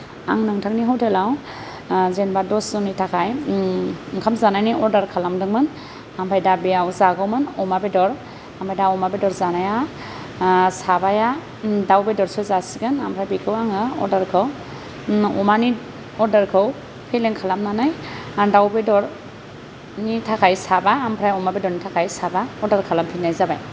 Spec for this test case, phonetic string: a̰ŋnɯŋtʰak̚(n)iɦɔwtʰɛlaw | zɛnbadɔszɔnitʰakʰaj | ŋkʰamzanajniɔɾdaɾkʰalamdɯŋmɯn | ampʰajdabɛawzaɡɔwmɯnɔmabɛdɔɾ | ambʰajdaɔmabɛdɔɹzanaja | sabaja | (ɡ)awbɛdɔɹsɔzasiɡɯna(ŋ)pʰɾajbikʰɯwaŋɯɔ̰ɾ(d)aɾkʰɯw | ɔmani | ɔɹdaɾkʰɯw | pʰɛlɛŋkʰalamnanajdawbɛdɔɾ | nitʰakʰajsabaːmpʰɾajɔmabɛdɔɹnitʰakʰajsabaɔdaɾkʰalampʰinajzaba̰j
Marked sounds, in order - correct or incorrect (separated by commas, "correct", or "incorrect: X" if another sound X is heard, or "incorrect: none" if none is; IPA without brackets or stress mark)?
correct, incorrect: d, incorrect: m, correct